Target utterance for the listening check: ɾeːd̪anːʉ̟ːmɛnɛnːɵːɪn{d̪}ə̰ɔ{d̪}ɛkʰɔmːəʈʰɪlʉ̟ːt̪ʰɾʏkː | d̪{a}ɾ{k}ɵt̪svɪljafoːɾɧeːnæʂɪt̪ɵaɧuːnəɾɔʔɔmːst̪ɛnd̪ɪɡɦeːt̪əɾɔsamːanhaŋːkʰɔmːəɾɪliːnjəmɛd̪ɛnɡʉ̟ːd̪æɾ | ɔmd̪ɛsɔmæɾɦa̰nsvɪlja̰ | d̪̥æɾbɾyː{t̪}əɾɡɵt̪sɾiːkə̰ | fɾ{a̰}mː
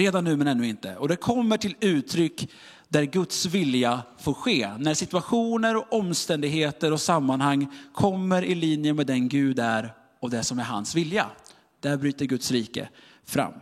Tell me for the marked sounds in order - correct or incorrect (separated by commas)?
incorrect, correct, incorrect, incorrect, correct, correct